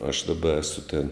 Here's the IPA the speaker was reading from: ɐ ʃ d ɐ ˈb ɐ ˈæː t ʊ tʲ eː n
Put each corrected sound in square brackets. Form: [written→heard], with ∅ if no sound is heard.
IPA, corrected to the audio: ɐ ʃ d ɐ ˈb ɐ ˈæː [t→s] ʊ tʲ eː n